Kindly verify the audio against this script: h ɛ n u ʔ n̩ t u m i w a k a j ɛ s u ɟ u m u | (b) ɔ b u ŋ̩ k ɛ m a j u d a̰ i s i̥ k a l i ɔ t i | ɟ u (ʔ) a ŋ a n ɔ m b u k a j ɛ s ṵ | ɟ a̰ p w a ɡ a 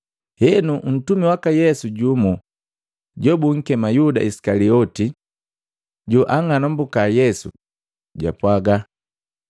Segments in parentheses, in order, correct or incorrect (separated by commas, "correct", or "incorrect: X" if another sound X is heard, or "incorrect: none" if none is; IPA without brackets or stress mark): incorrect: ɟ, correct